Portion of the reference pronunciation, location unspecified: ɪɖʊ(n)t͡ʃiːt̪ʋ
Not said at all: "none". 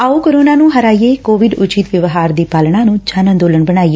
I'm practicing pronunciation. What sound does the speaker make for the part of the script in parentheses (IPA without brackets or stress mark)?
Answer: none